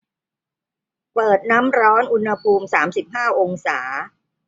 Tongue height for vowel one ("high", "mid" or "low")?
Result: mid